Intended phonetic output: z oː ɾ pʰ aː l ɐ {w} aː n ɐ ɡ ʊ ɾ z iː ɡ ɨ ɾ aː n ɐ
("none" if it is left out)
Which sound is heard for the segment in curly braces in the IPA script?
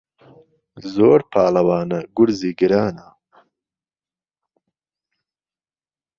w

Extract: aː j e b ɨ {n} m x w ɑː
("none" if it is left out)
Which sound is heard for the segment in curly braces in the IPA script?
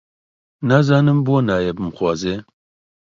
none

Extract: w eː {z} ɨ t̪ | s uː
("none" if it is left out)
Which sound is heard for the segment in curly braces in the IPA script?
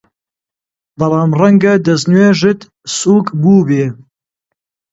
ʒ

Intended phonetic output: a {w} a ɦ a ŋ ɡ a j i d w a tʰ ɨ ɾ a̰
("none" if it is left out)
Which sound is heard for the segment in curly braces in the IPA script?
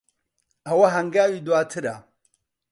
w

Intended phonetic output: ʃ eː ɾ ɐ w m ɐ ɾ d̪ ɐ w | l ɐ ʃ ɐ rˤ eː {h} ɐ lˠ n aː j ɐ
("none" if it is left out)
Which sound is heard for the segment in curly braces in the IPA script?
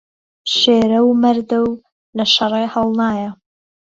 h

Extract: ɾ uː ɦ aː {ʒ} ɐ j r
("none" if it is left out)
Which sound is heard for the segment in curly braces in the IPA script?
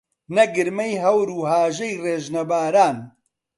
ʒ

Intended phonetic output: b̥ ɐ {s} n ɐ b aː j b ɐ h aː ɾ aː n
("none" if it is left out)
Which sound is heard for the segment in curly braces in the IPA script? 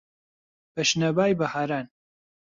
ʃ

